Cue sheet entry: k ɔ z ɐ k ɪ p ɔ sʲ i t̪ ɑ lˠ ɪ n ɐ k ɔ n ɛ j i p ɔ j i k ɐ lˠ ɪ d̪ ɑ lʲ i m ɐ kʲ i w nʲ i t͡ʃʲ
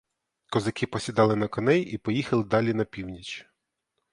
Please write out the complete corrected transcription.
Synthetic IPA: k ɔ z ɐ k ɪ p ɔ sʲ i d̪ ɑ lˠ ɪ n ɐ k ɔ n ɛ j i p ɔ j i x ɐ lˠ ɪ d̪ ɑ lʲ i n ɐ pʲ i w nʲ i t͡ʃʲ